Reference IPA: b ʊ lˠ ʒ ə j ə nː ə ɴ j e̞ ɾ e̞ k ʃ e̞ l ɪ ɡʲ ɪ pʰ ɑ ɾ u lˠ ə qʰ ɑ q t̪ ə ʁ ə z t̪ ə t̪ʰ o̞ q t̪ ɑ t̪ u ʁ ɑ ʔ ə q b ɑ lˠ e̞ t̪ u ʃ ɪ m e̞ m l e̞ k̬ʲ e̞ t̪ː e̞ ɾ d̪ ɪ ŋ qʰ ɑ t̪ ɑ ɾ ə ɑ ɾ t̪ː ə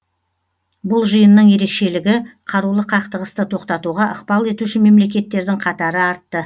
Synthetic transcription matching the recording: b ʊ lˠ ʒ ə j ə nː ə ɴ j e̞ ɾ e̞ k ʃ e̞ l ɪ ɡʲ ɪ qʰ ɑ ɾ u lˠ ə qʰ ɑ q t̪ ə ʁ ə s t̪ ə t̪ʰ o̞ q t̪ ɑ t̪ u ʁ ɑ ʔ ə q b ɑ lˠ e̞ t̪ u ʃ ɪ m e̞ m l e̞ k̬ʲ e̞ t̪ː e̞ ɾ d̪ ɪ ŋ qʰ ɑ t̪ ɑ ɾ ə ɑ ɾ t̪ː ə